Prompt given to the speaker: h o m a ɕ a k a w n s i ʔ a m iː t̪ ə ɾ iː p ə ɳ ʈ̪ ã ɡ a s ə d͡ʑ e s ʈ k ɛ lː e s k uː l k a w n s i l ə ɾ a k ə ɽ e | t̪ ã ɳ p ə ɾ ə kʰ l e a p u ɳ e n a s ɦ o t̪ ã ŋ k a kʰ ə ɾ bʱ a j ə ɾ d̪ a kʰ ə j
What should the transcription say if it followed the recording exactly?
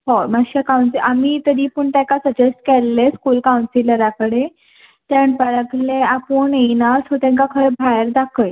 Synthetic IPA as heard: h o m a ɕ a k a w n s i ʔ a m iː t̪ ə ɾ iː p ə ɳ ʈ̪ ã k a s ə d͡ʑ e s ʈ k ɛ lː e s k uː l k a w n s i l ə ɾ a k ə ɽ e | t̪ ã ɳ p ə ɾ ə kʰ l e a p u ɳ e n a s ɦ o t̪ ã ŋ k a kʰ ə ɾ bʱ a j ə ɾ d̪ a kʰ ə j